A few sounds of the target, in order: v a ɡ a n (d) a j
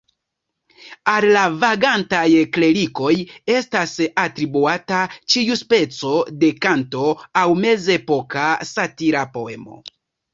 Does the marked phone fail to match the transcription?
yes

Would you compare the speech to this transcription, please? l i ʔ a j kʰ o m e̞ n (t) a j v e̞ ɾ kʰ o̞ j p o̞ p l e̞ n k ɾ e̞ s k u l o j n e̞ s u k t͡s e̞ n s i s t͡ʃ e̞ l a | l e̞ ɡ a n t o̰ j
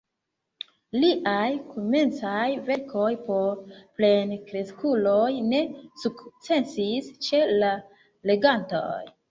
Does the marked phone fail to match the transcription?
yes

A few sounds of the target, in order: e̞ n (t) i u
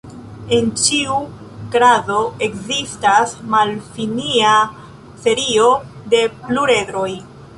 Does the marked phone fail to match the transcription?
yes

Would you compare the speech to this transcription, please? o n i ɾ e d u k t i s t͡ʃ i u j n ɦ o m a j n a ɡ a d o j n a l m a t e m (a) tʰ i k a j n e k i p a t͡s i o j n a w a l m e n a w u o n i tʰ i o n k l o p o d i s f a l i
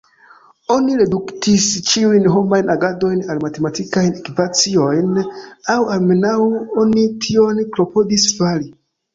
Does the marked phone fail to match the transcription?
no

